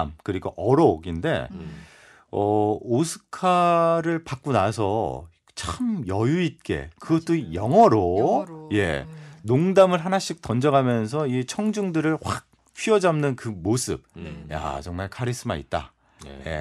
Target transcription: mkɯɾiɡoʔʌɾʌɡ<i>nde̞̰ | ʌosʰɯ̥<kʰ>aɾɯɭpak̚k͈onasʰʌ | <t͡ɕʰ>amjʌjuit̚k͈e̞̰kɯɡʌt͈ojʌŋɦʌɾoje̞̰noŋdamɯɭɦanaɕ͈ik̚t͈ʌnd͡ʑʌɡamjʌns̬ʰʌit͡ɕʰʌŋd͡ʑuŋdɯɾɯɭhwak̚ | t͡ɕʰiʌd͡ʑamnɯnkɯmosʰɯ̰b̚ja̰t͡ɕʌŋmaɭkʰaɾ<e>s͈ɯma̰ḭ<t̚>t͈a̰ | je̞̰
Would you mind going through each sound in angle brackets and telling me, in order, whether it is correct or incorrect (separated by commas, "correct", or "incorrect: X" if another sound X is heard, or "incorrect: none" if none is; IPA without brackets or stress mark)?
correct, correct, correct, incorrect: i, correct